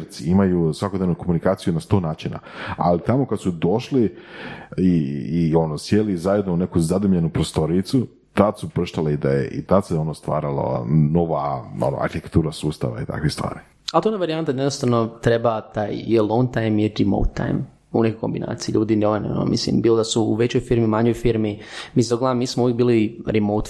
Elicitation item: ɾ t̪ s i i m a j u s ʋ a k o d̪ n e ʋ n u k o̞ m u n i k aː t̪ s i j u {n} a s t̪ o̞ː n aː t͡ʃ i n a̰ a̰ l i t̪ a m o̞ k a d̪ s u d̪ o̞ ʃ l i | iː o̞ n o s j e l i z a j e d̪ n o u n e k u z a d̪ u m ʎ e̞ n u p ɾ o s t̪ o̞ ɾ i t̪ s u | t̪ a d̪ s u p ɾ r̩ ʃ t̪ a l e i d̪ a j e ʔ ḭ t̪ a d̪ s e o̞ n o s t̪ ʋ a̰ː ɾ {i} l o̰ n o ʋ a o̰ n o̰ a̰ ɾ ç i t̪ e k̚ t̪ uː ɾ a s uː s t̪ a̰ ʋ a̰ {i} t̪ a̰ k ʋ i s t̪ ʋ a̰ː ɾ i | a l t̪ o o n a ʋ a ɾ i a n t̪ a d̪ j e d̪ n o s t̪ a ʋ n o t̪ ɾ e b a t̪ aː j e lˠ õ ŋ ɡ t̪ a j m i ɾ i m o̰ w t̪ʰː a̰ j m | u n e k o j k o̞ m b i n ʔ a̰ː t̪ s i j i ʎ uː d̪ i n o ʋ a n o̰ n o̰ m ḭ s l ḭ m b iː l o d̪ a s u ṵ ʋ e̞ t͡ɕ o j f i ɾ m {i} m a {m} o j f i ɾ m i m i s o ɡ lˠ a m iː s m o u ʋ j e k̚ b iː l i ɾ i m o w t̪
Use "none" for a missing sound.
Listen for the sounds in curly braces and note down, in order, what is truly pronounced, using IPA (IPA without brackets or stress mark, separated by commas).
n, a, i, i, ɲ